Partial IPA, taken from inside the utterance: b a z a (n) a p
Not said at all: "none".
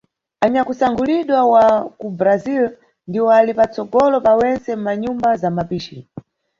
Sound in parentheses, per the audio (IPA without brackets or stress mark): m